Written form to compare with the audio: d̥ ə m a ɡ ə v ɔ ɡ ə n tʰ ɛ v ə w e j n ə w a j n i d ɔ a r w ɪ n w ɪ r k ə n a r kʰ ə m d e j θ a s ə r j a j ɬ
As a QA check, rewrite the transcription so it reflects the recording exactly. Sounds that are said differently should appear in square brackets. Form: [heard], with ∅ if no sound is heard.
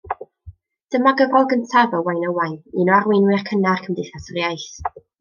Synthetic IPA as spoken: d̥ ə m a ɡ ə v ɔ ɡ ə n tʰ [a] v ə w [a] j n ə w a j n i [n] ɔ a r w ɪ n w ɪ r [kʰ] ə n a r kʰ ə m d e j θ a s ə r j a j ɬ